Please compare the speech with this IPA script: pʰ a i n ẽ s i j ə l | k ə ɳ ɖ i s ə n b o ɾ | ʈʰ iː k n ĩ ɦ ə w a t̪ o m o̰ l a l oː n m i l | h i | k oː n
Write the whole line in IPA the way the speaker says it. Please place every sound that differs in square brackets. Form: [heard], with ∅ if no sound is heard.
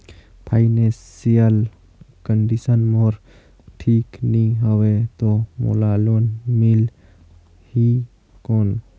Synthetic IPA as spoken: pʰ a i n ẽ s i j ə l | k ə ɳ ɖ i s ə n [m] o ɾ | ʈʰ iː k n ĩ ɦ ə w [e] t̪ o m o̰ l a l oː n m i l | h i | k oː n